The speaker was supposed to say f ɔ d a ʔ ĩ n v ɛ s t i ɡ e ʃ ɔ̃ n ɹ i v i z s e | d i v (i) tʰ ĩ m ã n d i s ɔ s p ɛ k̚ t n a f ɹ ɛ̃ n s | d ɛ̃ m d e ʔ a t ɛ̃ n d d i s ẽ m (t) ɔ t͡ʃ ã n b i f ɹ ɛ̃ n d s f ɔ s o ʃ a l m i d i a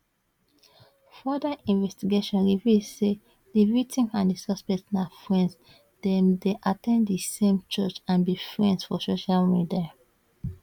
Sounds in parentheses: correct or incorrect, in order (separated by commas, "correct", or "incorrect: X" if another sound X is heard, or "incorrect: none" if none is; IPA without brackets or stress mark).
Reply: correct, incorrect: t͡ʃ